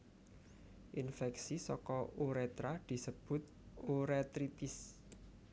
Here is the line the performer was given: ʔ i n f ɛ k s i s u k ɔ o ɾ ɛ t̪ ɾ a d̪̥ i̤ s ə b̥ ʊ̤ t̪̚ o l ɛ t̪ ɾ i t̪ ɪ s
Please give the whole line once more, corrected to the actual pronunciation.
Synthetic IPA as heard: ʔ i n f ɛ k s i s ɔ k ɔ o ɾ ɛ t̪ ɾ a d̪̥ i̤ s ə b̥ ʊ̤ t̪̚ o ɾ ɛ t̪ ɾ i t̪ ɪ s